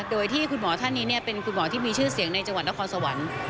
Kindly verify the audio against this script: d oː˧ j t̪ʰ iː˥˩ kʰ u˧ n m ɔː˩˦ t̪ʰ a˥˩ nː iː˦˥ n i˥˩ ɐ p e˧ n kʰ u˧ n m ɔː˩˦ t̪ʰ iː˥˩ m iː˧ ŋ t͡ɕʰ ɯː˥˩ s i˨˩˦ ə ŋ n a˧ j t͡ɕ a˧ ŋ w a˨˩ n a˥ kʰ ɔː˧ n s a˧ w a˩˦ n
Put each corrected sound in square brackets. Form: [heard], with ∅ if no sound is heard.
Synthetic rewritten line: d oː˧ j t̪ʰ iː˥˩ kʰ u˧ n m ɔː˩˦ t̪ʰ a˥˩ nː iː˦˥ n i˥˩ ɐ p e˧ n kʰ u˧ n m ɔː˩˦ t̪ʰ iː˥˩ m iː˧ [∅] t͡ɕʰ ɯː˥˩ s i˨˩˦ ə ŋ n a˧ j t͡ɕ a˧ ŋ w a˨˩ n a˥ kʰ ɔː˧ n s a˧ w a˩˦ n

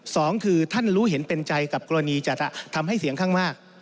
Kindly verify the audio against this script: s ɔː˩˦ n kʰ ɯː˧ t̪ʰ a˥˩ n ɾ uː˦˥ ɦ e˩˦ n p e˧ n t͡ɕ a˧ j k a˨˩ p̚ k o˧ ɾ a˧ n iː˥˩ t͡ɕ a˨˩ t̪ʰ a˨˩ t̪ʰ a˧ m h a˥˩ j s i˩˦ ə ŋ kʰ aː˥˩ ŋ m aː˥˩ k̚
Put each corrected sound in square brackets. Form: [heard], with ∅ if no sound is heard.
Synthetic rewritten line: s ɔː˩˦ [ŋ] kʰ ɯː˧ t̪ʰ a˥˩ n ɾ uː˦˥ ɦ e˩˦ n p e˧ n t͡ɕ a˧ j k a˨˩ p̚ k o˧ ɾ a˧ n [iː˧] t͡ɕ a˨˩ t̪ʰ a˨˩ t̪ʰ a˧ m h a˥˩ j s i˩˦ ə ŋ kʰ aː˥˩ ŋ m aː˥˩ k̚

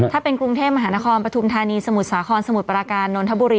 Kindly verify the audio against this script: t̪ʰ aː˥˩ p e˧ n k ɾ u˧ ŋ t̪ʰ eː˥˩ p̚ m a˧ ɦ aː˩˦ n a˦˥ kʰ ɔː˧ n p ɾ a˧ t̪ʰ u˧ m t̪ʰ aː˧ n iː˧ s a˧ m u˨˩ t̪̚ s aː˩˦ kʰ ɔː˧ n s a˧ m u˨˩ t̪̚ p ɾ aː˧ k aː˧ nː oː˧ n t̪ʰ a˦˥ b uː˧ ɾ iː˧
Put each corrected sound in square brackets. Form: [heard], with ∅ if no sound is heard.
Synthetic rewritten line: t̪ʰ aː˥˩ p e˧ n k ɾ u˧ ŋ t̪ʰ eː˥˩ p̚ m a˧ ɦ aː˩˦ n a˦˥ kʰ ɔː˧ n p ɾ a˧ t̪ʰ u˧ m t̪ʰ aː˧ n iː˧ s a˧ m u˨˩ t̪̚ s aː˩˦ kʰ ɔː˧ n s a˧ m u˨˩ t̪̚ p ɾ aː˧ k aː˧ nː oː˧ n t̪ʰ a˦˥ b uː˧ ɾ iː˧

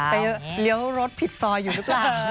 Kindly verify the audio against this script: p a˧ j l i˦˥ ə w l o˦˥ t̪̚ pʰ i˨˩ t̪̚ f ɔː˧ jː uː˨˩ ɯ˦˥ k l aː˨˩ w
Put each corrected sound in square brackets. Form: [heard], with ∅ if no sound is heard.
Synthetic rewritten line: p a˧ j l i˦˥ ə w [ɾ] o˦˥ t̪̚ pʰ i˨˩ t̪̚ [s] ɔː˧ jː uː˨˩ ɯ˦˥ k l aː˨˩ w

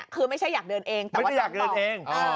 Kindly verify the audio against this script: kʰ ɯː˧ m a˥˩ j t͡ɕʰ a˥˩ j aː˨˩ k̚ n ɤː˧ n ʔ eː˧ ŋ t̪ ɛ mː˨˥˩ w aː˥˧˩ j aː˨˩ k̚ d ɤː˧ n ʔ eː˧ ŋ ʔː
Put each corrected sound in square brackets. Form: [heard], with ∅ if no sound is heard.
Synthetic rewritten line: kʰ ɯː˧ m a˥˩ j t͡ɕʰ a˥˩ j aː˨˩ k̚ [d] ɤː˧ n ʔ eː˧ ŋ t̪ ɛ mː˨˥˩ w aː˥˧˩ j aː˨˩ k̚ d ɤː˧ n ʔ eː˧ ŋ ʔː

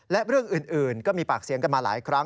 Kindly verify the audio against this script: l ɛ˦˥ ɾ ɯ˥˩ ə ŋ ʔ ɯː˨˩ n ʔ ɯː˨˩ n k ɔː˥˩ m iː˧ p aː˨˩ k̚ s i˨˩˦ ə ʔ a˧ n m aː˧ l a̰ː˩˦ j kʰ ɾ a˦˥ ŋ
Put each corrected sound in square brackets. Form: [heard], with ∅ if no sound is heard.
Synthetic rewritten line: l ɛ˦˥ ɾ ɯ˥˩ ə ŋ ʔ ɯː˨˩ n ʔ ɯː˨˩ n k ɔː˥˩ m iː˧ p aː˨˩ k̚ s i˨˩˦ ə [k] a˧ n m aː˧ l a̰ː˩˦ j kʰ ɾ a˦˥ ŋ

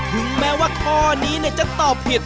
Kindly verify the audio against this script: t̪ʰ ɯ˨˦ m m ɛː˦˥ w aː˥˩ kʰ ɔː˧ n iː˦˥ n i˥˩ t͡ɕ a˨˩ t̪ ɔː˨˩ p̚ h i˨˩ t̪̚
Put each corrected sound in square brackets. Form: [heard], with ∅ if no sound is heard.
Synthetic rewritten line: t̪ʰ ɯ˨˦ [ŋ] m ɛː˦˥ w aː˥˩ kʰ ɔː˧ n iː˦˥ n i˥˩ t͡ɕ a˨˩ t̪ ɔː˨˩ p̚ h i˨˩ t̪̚

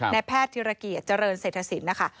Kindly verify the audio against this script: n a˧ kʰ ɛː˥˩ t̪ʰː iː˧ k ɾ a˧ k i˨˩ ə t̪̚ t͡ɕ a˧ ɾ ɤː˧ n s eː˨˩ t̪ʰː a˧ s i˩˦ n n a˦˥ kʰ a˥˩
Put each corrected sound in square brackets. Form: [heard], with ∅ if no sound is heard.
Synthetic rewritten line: n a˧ [pʰ] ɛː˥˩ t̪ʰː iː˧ [∅] ɾ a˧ k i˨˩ ə t̪̚ t͡ɕ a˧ ɾ ɤː˧ n s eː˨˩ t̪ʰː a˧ s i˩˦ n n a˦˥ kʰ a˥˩

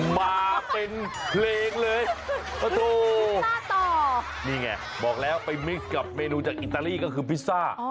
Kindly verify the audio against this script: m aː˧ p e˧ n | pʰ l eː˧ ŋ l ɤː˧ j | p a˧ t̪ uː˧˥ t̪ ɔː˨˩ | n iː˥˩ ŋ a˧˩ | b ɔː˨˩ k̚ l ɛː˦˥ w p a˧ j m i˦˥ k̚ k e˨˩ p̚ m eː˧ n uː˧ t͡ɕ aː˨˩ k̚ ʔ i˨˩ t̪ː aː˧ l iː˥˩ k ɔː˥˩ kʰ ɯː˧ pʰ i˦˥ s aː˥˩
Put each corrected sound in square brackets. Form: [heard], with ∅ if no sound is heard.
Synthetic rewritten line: m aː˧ p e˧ n | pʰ l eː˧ ŋ l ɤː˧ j | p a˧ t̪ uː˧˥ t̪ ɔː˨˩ | n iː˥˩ ŋ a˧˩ | b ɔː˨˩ k̚ l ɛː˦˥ w p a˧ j m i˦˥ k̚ k [a˨˩] p̚ m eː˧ n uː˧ t͡ɕ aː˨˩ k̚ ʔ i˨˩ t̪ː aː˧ l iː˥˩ k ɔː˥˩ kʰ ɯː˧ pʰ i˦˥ s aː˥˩

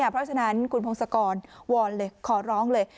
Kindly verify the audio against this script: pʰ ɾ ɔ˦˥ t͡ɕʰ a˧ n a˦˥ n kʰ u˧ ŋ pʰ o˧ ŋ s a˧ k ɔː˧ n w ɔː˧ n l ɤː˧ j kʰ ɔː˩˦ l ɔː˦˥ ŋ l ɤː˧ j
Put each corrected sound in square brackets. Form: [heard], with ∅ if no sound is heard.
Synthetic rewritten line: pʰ ɾ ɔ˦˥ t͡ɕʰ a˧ n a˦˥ n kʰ u˧ [n] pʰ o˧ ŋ s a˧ k ɔː˧ n w ɔː˧ n l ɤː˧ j kʰ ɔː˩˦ [ɾ] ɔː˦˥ ŋ l ɤː˧ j

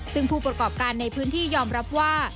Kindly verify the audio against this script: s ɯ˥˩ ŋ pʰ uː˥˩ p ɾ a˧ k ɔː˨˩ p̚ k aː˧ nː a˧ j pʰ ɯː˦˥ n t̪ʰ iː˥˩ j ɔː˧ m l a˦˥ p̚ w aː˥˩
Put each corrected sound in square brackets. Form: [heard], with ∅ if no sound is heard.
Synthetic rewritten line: s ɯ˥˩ ŋ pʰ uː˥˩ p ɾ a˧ k ɔː˨˩ p̚ k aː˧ nː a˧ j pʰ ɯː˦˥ n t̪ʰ iː˥˩ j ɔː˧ m [ɾ] a˦˥ p̚ w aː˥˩

